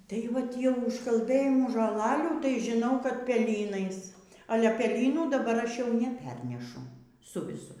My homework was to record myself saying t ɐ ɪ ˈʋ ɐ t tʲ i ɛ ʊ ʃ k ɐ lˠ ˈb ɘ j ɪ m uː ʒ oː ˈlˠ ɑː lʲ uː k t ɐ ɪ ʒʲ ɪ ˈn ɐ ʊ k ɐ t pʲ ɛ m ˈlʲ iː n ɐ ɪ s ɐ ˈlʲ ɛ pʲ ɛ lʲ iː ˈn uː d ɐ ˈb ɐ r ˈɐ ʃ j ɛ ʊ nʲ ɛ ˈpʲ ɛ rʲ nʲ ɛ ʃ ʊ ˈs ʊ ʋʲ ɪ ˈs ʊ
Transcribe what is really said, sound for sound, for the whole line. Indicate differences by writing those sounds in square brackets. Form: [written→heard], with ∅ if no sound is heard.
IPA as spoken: t ɐ ɪ ˈʋ ɐ t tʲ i ɛ ʊ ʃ k ɐ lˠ ˈb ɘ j ɪ m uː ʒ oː ˈlˠ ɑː lʲ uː [k→∅] t ɐ ɪ ʒʲ ɪ ˈn ɐ ʊ k ɐ t pʲ ɛ [m→∅] ˈlʲ iː n ɐ ɪ s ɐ ˈlʲ ɛ pʲ ɛ lʲ iː ˈn uː d ɐ ˈb ɐ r ˈɐ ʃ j ɛ ʊ nʲ ɛ ˈpʲ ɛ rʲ nʲ ɛ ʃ ʊ ˈs ʊ ʋʲ ɪ ˈs ʊ

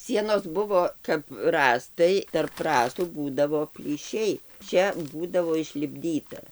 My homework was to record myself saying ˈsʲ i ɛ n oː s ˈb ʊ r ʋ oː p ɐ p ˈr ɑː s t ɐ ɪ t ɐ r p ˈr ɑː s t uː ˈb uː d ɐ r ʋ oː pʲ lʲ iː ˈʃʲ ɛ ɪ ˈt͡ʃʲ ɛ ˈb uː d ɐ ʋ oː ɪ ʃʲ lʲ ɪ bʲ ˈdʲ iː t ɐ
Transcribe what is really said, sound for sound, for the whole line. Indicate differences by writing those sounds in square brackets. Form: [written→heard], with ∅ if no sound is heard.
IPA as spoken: ˈsʲ i ɛ n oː s ˈb ʊ [r→∅] ʋ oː [p→k] ɐ p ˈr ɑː s t ɐ ɪ t ɐ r p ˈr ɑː s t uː ˈb uː d ɐ [r→∅] ʋ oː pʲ lʲ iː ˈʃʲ ɛ ɪ ˈt͡ʃʲ ɛ ˈb uː d ɐ ʋ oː ɪ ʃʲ lʲ ɪ bʲ ˈdʲ iː t ɐ

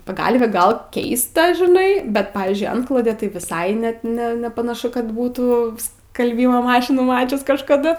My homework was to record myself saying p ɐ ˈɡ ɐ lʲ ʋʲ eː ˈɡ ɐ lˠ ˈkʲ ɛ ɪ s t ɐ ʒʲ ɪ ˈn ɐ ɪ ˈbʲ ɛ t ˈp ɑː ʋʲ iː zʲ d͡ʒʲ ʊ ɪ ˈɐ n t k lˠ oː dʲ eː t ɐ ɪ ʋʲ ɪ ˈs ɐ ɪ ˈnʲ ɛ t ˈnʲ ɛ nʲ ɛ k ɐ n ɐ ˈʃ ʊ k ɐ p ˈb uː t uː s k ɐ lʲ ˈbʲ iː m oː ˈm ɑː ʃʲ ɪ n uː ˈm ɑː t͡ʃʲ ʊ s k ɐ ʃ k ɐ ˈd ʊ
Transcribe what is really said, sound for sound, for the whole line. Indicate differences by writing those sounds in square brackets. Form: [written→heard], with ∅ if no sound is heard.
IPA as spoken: p ɐ ˈɡ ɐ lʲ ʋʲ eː ˈɡ ɐ lˠ ˈkʲ ɛ ɪ s t ɐ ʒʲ ɪ ˈn ɐ ɪ ˈbʲ ɛ t ˈp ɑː ʋʲ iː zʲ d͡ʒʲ ʊ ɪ ˈɐ n t k lˠ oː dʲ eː t ɐ ɪ ʋʲ ɪ ˈs ɐ ɪ ˈnʲ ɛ t ˈnʲ ɛ nʲ ɛ [k→p] ɐ n ɐ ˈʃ ʊ k ɐ [p→t] ˈb uː t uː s k ɐ lʲ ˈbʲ iː m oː ˈm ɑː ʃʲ ɪ n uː ˈm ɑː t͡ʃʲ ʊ s k ɐ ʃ k ɐ ˈd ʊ

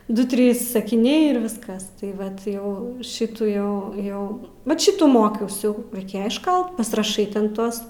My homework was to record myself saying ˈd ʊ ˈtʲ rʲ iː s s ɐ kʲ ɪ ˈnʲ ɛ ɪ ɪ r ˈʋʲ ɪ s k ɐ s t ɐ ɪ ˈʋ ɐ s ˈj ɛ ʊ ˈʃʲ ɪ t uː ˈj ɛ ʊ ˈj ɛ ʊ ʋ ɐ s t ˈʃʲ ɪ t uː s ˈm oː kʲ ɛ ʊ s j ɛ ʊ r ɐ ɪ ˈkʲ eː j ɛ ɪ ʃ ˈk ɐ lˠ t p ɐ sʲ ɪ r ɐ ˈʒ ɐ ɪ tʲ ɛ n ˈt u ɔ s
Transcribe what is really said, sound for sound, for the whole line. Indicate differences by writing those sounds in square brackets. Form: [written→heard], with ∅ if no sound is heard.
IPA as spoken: ˈd ʊ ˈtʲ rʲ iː s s ɐ kʲ ɪ ˈnʲ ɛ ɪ ɪ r ˈʋʲ ɪ s k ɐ s t ɐ ɪ ˈʋ ɐ [s→t] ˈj ɛ ʊ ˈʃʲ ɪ t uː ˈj ɛ ʊ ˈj ɛ ʊ ʋ ɐ [s→∅] t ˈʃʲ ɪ t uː [s→∅] ˈm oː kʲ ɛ ʊ s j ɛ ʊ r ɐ ɪ ˈkʲ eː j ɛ ɪ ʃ ˈk ɐ lˠ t p ɐ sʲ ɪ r ɐ [ˈʒ→ˈʃ] ɐ ɪ tʲ ɛ n ˈt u ɔ s

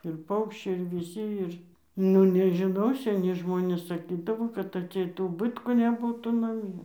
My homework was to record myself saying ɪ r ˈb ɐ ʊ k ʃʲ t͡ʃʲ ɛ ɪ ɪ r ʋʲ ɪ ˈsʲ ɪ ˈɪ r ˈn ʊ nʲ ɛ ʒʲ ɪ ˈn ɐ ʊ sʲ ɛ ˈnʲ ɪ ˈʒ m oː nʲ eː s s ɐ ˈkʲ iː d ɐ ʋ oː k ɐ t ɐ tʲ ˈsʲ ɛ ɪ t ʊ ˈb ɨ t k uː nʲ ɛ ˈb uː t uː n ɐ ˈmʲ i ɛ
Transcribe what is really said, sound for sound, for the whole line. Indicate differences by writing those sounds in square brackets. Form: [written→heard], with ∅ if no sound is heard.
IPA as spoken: ɪ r [ˈb→ˈp] ɐ ʊ k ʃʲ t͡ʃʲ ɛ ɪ ɪ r ʋʲ ɪ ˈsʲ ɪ ˈɪ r ˈn ʊ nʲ ɛ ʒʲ ɪ ˈn ɐ ʊ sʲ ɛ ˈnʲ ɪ ˈʒ m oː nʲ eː s s ɐ ˈkʲ iː d ɐ ʋ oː k ɐ t ɐ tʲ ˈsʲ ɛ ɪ t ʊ ˈb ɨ t k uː nʲ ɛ ˈb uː t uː n ɐ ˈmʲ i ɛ

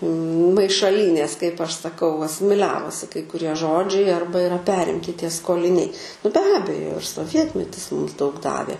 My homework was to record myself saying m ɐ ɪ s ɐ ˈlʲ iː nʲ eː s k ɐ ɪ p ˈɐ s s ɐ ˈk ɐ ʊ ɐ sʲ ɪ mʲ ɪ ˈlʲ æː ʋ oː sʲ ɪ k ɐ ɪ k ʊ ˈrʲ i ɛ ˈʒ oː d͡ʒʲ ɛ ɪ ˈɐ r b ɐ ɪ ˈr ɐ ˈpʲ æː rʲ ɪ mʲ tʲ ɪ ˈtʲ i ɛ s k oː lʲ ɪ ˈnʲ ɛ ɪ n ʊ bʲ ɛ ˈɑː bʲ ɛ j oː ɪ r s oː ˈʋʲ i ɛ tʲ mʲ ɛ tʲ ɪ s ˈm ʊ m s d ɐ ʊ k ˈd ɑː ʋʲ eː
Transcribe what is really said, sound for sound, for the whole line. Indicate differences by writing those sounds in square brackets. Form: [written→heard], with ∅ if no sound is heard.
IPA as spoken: m ɐ ɪ [s→ʃ] ɐ ˈlʲ iː nʲ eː s k ɐ ɪ p ˈɐ [s→ʃ] s ɐ ˈk ɐ ʊ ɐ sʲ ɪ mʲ ɪ ˈlʲ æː ʋ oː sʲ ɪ k ɐ ɪ k ʊ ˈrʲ i ɛ ˈʒ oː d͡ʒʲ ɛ ɪ ˈɐ r b ɐ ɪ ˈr ɐ ˈpʲ æː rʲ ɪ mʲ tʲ ɪ ˈtʲ i ɛ s k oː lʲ ɪ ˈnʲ ɛ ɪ n ʊ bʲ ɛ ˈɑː bʲ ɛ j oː ɪ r s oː ˈʋʲ i ɛ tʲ mʲ ɛ tʲ ɪ s ˈm ʊ m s d ɐ ʊ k ˈd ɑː ʋʲ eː

